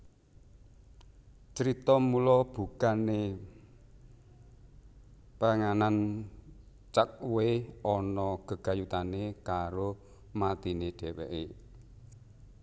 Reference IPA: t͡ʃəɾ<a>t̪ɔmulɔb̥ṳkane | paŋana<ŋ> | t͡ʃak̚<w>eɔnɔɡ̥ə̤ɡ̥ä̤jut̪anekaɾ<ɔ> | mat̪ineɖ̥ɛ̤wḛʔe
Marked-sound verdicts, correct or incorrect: incorrect, incorrect, correct, incorrect

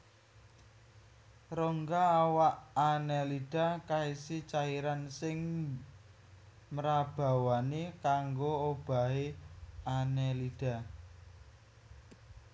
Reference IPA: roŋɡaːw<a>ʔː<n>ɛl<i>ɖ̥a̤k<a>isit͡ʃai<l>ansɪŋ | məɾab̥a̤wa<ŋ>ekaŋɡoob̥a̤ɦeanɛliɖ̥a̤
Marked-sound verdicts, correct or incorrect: correct, correct, correct, correct, incorrect, incorrect

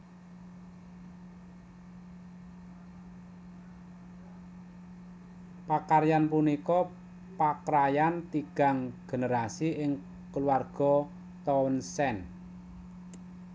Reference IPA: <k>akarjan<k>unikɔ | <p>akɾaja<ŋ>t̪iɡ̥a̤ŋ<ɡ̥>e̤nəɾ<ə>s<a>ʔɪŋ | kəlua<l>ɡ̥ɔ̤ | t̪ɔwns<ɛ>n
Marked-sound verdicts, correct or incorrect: incorrect, incorrect, correct, incorrect, correct, incorrect, incorrect, incorrect, correct

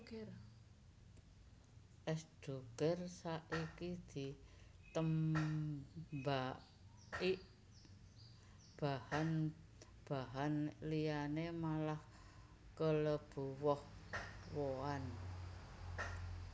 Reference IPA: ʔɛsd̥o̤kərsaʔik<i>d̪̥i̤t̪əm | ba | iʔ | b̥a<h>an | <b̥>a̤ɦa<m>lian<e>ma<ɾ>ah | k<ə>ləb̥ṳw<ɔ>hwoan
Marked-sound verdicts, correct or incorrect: correct, correct, correct, incorrect, correct, incorrect, correct, correct

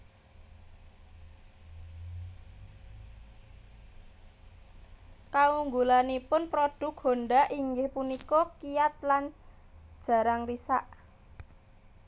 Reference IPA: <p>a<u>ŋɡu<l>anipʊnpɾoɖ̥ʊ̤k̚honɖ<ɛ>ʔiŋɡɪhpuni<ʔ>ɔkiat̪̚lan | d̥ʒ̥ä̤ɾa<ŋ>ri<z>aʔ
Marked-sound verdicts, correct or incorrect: incorrect, correct, correct, incorrect, incorrect, correct, incorrect

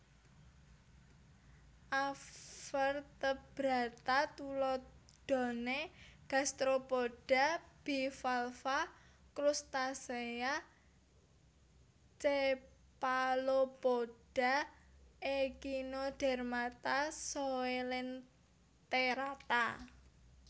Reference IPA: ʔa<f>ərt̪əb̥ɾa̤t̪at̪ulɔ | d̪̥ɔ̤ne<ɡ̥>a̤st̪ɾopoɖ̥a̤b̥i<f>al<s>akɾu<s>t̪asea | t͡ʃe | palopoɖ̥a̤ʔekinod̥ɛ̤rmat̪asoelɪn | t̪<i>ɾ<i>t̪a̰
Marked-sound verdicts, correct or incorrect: correct, correct, correct, incorrect, correct, incorrect, incorrect

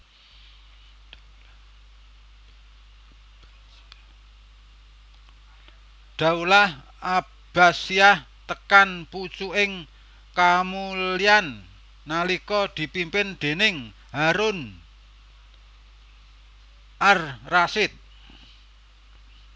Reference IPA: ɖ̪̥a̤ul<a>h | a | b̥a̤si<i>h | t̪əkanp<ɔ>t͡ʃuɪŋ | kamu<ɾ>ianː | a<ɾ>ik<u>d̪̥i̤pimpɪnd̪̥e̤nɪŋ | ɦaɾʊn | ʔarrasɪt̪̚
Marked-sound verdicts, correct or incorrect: correct, incorrect, incorrect, incorrect, incorrect, incorrect

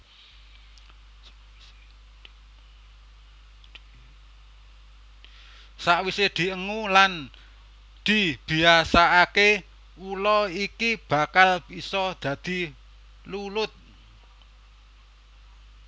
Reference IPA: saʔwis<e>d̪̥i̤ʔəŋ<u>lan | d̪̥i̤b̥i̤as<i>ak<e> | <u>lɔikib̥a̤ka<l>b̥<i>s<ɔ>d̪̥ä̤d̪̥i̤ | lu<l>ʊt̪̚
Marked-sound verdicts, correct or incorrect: correct, correct, incorrect, correct, correct, correct, correct, correct, correct

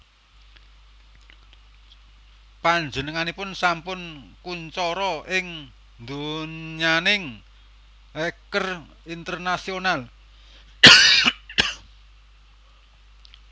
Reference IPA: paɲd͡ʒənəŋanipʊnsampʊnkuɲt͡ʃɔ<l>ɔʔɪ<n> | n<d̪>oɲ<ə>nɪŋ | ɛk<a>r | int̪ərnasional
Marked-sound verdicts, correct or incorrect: incorrect, incorrect, correct, incorrect, incorrect

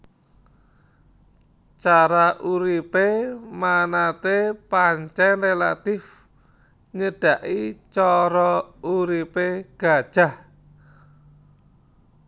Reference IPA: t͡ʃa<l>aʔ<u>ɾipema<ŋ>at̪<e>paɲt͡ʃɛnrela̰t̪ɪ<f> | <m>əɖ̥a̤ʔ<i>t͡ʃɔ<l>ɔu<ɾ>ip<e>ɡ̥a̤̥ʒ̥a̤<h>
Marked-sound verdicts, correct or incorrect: incorrect, correct, incorrect, correct, correct, incorrect, correct, incorrect, correct, correct, correct

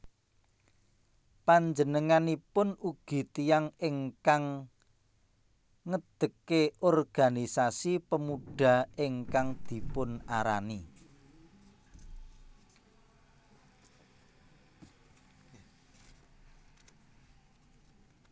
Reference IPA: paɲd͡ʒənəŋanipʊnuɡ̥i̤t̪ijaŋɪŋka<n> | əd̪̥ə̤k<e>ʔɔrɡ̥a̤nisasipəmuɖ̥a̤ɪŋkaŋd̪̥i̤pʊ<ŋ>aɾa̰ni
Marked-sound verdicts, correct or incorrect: incorrect, correct, incorrect

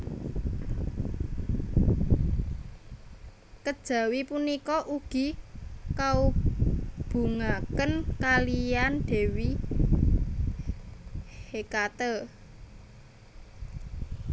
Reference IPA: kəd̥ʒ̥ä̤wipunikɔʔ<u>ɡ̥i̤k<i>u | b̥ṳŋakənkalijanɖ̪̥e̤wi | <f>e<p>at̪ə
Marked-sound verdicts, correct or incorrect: correct, incorrect, incorrect, incorrect

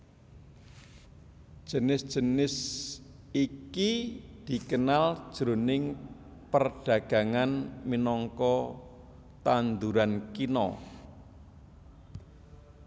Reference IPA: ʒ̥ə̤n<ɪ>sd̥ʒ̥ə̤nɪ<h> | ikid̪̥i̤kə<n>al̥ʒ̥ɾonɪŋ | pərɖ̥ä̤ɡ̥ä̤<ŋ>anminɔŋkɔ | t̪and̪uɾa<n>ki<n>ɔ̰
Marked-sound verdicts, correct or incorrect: correct, incorrect, correct, correct, correct, correct

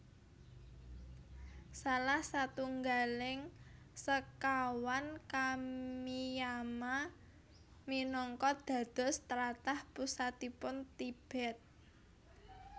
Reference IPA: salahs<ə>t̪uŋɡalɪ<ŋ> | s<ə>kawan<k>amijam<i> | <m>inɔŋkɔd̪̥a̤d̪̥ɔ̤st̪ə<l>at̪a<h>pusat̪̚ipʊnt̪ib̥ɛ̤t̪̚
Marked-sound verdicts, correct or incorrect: incorrect, correct, correct, correct, incorrect, correct, incorrect, correct

